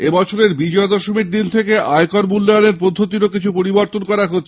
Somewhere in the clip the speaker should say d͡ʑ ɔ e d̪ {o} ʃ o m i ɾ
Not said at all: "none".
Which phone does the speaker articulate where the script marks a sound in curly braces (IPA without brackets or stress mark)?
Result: ɔ